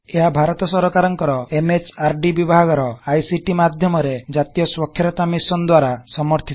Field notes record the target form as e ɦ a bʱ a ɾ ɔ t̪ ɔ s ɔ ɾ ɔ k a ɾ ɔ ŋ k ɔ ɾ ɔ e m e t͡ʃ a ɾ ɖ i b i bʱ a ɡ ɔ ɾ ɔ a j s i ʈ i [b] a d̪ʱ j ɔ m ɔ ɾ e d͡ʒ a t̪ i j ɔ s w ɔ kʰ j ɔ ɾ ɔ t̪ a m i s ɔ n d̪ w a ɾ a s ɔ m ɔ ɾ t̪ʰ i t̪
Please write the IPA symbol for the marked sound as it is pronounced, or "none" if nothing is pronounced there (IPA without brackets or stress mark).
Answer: m